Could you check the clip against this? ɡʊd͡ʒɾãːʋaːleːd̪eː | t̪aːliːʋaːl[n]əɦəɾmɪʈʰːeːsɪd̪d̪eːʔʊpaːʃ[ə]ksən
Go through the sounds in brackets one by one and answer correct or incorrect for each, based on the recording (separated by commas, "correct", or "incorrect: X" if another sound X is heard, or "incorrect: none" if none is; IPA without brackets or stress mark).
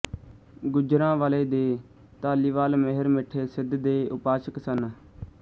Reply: incorrect: m, correct